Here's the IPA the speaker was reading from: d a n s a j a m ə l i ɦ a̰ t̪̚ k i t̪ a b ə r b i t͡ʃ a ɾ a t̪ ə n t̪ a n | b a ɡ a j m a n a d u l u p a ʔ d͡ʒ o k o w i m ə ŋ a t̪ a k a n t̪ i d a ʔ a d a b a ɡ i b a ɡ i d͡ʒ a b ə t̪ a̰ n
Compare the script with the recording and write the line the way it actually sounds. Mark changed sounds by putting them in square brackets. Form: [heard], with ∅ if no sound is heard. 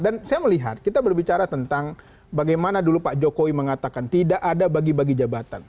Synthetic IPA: d a n s a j a m ə l i ɦ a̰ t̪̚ k i t̪ a b ə r b i t͡ʃ a ɾ a t̪ ə n t̪ a [ŋ] | b a ɡ a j m a n a d u l u p a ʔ d͡ʒ o k o w i m ə ŋ a t̪ a k a n t̪ i d a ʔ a d a b a ɡ i b a ɡ i d͡ʒ a b [a] t̪ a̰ n